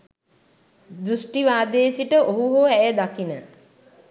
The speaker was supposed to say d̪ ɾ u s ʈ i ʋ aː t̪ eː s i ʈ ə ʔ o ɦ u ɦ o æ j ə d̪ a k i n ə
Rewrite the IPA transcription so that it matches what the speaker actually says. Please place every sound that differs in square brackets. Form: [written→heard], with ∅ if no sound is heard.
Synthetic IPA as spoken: d̪ ɾ u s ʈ i ʋ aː [t̪→d̪] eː s i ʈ ə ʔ o ɦ u ɦ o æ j ə d̪ a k i n ə